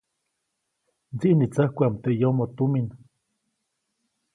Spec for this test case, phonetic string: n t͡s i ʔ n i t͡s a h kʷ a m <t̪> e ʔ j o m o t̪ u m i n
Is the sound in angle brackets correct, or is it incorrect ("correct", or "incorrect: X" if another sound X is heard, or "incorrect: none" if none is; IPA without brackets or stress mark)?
correct